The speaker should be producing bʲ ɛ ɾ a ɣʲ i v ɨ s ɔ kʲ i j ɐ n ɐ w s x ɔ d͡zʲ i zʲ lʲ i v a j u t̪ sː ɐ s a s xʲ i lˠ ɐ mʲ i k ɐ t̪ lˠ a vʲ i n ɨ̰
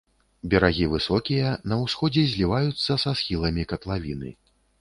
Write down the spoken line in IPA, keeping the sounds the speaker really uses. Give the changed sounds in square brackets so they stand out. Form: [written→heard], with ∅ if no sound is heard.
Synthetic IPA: bʲ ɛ ɾ a ɣʲ i v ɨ s ɔ kʲ i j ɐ n ɐ w s x ɔ d͡zʲ [i→ɛ] zʲ lʲ i v a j u t̪ sː ɐ s a s xʲ i lˠ ɐ mʲ i k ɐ t̪ lˠ a vʲ i n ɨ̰